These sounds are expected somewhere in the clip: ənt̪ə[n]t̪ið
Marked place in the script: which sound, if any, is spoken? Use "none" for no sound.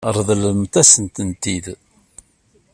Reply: n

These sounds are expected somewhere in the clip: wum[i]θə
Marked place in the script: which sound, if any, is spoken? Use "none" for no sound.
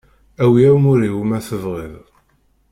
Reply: æ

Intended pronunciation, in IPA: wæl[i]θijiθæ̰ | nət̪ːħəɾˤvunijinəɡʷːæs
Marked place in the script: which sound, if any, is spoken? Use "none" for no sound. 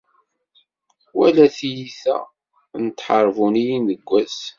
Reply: æ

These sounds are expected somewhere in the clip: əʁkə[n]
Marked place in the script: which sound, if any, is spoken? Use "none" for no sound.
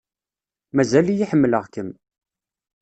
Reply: m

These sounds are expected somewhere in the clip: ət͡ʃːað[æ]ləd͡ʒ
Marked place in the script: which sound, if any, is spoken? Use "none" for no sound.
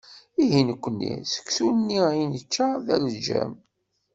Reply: æ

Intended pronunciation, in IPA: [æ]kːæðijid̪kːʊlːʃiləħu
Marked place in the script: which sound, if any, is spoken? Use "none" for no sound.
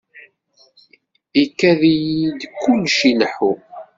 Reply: i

